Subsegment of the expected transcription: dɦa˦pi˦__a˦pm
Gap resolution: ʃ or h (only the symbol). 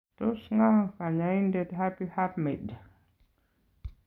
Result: h